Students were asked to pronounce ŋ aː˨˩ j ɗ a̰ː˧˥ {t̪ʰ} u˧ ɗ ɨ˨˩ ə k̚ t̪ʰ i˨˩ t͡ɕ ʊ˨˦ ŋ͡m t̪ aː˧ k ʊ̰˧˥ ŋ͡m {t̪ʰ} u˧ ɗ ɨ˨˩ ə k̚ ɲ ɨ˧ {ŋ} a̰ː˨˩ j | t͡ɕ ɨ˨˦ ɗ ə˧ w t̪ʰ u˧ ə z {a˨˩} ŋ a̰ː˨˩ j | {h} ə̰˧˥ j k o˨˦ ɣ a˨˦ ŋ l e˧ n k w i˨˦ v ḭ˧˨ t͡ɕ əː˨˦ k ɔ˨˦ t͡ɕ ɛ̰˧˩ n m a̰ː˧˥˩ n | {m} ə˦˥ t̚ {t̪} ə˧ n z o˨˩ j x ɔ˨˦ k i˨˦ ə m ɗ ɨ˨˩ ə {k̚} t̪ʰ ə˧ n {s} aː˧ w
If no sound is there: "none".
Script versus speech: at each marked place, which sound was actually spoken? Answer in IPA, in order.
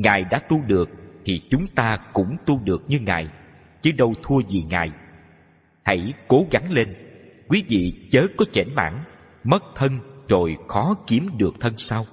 t̪, t̪, ŋ, i˨˩, h, m, t̪ʰ, k̚, s

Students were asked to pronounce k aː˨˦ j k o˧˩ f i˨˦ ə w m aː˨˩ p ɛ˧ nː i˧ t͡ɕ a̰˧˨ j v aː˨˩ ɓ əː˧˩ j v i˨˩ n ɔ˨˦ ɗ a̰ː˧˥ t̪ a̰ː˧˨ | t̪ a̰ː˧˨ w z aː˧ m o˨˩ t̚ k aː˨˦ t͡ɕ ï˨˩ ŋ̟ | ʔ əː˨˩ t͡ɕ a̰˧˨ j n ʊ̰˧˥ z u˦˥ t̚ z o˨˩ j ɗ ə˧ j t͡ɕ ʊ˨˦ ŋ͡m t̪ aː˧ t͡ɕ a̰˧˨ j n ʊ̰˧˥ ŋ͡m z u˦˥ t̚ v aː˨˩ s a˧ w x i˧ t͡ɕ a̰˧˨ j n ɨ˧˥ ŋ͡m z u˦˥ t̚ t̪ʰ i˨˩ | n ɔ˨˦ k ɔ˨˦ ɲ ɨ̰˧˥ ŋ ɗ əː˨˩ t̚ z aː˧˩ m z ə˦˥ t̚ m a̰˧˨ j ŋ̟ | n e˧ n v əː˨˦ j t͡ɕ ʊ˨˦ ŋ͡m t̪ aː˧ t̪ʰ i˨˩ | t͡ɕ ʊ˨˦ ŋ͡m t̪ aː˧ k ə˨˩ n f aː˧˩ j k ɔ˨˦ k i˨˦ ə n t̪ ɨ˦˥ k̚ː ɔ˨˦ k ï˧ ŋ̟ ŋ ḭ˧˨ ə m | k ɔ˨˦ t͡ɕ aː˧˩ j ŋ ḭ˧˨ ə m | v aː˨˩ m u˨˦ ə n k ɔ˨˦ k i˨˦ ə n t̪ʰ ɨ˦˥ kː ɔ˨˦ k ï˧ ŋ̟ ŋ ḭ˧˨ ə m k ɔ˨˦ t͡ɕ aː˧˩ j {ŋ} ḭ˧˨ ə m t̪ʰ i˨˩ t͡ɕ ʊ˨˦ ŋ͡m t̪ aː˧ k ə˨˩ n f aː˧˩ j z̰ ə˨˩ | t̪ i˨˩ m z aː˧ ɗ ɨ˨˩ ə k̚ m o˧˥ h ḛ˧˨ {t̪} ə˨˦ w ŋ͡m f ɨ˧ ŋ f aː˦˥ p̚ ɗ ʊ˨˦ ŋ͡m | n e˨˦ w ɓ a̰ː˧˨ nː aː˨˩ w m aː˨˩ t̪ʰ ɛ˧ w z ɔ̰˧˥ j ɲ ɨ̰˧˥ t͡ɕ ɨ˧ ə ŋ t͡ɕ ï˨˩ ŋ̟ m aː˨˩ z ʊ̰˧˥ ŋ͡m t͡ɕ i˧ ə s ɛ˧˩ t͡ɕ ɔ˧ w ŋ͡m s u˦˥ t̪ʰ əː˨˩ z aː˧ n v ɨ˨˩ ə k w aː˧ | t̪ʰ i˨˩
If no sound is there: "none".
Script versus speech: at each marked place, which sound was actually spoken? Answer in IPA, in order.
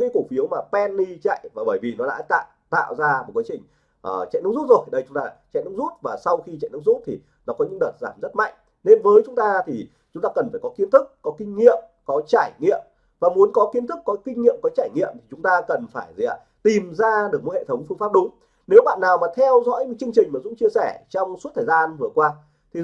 ŋ, t̪ʰ

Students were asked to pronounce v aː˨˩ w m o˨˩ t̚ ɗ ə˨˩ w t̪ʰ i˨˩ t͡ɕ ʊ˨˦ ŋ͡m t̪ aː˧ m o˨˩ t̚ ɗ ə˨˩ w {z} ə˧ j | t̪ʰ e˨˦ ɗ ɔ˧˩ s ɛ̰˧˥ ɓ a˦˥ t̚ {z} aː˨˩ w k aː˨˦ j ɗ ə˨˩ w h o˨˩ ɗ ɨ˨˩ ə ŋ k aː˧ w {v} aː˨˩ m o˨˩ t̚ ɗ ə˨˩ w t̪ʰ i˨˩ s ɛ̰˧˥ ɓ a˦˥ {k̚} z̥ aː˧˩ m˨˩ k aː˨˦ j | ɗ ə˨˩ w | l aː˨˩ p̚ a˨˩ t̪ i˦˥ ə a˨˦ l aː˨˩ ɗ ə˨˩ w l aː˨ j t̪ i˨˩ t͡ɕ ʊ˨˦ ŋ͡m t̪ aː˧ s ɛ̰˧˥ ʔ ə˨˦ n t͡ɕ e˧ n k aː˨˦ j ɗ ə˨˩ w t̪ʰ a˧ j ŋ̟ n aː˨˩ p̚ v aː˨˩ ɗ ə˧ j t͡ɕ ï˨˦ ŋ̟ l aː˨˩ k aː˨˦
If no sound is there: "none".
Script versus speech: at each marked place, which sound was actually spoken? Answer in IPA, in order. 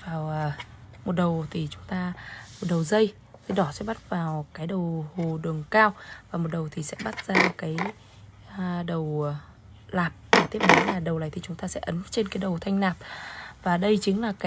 z, v, v, t̚

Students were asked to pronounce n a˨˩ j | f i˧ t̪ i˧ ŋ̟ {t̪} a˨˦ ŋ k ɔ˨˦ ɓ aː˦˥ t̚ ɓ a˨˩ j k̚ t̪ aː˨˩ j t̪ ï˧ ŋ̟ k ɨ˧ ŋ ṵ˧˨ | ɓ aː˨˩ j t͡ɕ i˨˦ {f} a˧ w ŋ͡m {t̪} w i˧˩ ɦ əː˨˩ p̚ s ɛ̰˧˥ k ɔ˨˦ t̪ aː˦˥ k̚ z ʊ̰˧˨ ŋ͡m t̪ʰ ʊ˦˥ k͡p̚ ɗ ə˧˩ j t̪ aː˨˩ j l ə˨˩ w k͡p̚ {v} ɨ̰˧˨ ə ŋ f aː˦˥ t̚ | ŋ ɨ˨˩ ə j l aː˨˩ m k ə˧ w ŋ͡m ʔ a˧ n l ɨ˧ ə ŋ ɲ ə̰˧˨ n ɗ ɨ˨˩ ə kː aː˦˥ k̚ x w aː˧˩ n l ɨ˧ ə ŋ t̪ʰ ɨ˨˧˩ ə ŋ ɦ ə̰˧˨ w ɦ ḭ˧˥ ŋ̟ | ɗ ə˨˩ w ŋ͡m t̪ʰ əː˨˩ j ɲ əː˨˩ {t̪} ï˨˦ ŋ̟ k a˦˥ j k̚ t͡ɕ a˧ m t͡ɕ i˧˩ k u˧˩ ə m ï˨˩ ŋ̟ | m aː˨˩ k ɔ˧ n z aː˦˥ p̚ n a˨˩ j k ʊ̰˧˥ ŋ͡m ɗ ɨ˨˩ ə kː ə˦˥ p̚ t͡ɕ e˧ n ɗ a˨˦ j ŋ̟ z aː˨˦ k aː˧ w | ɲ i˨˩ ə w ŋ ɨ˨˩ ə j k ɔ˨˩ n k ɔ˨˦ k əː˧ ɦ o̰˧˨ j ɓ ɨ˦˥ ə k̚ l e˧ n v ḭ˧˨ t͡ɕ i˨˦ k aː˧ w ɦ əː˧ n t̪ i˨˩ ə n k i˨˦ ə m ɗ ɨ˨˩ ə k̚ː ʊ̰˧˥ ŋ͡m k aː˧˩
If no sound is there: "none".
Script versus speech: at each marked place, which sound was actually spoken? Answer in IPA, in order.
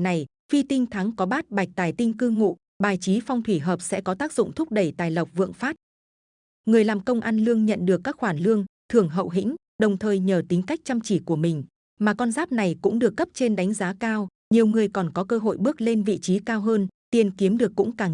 t̪ʰ, f, t̪ʰ, v, t̪

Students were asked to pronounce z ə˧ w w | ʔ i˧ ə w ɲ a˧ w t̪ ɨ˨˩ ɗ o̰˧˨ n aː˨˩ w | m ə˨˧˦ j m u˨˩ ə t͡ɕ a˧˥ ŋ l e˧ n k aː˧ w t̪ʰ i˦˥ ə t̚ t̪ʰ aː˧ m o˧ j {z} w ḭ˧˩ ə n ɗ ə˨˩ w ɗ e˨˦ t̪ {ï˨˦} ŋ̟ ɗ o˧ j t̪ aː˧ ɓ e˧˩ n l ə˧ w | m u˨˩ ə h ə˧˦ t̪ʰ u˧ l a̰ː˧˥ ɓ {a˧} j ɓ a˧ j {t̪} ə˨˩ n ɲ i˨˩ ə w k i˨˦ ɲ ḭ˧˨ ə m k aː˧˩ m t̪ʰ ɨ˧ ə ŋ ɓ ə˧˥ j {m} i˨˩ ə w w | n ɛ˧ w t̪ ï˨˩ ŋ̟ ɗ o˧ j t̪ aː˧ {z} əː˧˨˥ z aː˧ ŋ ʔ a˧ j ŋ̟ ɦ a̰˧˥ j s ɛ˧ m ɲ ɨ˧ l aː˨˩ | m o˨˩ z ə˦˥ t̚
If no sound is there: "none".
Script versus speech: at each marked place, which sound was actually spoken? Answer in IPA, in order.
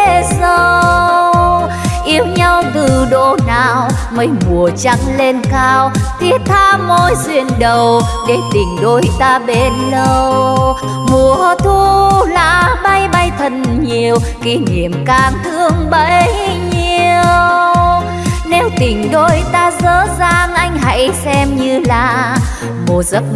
z, ï˨˩, a˧, t̪ʰ, ɲ, z

